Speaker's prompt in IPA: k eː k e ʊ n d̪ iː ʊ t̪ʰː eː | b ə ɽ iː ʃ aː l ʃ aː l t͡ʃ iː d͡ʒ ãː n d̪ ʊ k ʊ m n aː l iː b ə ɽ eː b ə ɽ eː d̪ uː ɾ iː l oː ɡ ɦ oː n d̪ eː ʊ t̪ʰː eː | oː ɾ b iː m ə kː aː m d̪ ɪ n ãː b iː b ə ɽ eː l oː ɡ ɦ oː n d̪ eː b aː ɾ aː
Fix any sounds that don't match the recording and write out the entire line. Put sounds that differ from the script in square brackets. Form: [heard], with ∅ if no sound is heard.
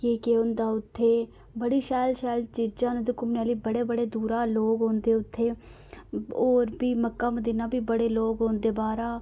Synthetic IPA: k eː k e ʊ n d̪ [aː] ʊ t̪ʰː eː | b ə ɽ iː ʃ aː l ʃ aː l t͡ʃ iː d͡ʒ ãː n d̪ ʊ k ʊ m n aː l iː b ə ɽ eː b ə ɽ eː d̪ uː ɾ [aː] l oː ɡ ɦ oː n d̪ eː ʊ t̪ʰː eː | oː ɾ b iː m ə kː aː m d̪ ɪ n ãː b iː b ə ɽ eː l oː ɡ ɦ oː n d̪ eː b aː ɾ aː